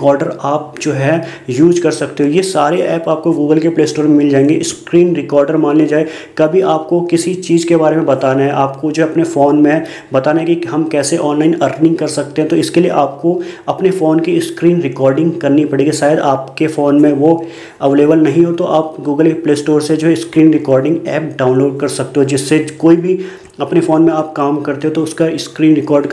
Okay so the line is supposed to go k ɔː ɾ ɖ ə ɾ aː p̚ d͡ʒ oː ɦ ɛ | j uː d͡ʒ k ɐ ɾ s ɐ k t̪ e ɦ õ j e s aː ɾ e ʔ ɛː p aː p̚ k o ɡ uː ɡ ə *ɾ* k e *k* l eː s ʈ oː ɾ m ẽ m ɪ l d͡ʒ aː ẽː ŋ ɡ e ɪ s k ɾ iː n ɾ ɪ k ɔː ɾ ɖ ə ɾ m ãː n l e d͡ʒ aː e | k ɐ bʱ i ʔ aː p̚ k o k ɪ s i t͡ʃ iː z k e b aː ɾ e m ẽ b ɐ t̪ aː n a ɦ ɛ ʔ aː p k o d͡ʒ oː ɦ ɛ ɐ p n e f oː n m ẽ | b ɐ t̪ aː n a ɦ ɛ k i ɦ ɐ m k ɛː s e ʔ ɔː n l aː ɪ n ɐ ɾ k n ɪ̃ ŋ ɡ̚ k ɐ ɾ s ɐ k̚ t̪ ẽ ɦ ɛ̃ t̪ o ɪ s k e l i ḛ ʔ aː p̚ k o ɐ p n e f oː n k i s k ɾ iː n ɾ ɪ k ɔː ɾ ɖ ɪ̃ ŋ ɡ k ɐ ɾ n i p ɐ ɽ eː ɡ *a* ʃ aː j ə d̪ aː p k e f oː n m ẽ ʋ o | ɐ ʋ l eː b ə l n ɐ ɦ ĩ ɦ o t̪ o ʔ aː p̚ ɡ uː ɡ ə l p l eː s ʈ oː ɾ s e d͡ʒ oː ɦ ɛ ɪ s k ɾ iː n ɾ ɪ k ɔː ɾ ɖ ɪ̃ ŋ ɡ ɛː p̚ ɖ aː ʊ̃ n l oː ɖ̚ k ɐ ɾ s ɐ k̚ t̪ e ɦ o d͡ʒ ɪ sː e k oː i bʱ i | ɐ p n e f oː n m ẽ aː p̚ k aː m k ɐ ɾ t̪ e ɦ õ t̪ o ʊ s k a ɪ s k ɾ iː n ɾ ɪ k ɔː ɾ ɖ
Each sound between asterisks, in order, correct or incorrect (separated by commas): incorrect, incorrect, incorrect